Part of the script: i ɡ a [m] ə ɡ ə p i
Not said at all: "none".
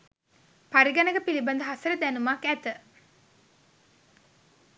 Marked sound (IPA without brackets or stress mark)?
n